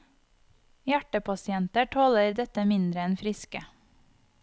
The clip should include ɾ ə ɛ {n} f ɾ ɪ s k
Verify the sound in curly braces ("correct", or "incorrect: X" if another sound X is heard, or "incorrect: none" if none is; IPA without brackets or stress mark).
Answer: correct